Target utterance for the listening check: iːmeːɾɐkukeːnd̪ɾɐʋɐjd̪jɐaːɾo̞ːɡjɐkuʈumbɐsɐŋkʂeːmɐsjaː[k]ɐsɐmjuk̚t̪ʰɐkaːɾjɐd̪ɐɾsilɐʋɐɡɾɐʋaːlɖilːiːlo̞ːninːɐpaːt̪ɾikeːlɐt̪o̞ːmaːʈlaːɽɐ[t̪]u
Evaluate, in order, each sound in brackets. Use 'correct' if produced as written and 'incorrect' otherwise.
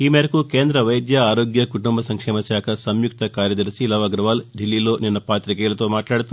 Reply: incorrect: kʰ, correct

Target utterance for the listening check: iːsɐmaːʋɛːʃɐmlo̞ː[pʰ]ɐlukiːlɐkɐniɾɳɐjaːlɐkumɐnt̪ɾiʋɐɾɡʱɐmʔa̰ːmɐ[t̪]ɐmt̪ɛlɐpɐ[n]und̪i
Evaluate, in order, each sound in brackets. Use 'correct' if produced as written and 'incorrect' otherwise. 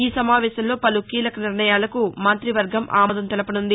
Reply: incorrect: p, incorrect: d̪, correct

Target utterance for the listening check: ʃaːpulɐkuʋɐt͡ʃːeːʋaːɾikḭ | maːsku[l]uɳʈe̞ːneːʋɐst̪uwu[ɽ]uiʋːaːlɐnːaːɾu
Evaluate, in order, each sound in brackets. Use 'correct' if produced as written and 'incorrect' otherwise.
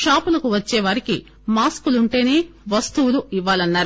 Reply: correct, incorrect: l

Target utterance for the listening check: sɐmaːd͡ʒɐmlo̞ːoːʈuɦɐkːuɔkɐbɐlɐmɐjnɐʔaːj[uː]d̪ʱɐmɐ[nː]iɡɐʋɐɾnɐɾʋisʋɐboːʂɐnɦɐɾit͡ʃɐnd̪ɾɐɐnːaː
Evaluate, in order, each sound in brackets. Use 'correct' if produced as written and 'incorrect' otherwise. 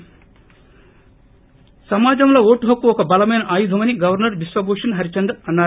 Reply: incorrect: u, incorrect: n

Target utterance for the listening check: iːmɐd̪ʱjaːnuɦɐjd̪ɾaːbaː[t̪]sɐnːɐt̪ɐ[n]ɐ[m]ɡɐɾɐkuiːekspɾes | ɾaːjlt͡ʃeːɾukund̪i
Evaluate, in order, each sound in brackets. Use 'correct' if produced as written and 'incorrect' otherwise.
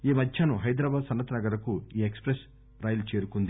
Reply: incorrect: d̪, correct, incorrect: none

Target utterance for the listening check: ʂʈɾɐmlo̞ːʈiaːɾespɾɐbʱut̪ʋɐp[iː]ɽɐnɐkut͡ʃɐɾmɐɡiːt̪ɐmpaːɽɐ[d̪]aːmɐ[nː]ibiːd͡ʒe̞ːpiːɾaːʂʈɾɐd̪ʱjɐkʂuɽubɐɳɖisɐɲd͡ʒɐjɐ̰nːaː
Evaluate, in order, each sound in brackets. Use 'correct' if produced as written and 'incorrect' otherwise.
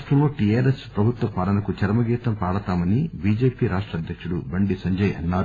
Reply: incorrect: aː, incorrect: t̪, incorrect: n

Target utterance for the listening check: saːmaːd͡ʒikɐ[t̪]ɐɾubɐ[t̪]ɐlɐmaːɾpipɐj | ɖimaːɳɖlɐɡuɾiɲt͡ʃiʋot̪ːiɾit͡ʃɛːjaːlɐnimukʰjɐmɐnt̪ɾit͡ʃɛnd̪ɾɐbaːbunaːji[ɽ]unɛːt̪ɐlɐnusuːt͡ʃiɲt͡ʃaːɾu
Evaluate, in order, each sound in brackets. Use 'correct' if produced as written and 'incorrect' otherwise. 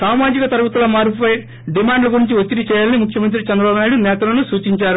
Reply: correct, correct, correct

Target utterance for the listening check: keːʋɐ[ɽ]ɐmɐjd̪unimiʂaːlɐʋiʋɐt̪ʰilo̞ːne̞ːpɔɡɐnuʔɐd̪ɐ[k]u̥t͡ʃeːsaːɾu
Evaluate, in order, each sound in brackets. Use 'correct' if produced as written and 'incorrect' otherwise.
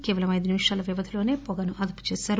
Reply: incorrect: l, incorrect: p

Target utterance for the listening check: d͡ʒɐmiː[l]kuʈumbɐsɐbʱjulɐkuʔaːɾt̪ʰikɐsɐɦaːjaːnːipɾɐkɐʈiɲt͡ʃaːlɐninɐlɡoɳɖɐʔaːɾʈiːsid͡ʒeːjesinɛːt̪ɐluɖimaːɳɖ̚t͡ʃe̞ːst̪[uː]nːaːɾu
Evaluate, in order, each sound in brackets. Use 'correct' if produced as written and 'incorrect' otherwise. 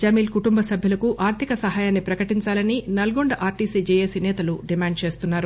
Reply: correct, incorrect: u

